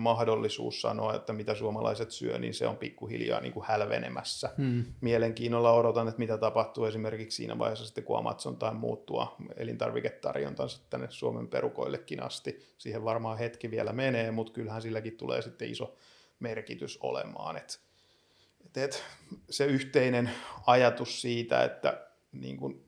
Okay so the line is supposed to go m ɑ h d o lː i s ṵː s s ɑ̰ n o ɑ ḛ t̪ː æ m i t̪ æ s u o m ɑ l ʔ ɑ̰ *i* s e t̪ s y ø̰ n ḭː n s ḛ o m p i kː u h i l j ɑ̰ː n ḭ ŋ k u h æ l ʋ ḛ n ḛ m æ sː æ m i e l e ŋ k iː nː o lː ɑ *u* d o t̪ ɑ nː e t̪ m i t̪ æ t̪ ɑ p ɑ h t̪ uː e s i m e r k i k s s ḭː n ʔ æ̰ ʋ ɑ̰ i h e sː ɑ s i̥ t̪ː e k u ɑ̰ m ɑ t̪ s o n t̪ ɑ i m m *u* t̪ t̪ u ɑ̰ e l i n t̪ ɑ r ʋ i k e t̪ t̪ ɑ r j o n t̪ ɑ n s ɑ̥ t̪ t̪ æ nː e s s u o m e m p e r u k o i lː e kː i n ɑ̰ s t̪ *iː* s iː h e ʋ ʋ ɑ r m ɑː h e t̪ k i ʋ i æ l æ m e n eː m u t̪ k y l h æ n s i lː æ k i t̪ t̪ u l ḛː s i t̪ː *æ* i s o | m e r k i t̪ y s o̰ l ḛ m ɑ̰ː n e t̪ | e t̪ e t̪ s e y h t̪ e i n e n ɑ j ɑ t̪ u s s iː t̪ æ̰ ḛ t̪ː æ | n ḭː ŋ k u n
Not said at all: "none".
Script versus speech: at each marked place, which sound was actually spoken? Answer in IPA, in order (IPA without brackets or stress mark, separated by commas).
i, o, uː, i, e